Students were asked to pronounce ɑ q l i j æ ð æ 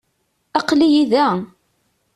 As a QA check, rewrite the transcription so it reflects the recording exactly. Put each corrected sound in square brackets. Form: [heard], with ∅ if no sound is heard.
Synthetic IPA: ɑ q l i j [i] ð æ